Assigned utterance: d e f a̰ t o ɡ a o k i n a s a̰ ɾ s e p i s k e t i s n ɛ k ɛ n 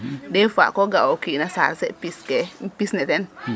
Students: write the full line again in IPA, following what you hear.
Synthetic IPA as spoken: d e f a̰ k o ɡ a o k i n a s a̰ ɾ s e p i s k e p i s n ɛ t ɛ n